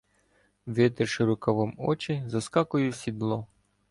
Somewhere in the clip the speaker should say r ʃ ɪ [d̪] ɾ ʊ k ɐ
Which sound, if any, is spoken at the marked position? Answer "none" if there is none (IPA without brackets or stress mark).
none